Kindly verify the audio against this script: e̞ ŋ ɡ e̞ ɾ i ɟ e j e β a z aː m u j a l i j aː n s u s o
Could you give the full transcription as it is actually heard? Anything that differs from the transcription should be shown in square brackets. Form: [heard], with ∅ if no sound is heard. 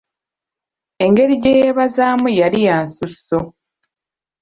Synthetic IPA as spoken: e̞ ŋ ɡ e̞ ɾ i ɟ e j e β a z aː m u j a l i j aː n s u s o